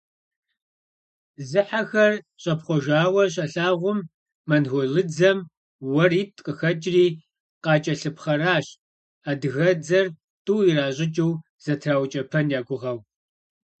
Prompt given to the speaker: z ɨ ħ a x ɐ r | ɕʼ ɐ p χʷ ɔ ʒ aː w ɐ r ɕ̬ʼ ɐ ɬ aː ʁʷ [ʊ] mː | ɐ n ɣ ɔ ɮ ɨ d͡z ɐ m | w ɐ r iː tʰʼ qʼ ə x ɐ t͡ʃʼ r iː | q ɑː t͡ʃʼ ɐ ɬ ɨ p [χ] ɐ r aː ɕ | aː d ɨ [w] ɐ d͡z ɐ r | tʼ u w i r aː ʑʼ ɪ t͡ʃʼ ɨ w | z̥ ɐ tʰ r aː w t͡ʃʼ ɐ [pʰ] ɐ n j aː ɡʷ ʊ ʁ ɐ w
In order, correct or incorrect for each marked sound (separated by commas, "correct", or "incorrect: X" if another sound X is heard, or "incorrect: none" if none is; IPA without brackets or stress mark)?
correct, correct, incorrect: ɣ, correct